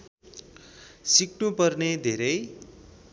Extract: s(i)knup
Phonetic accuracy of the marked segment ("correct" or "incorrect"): correct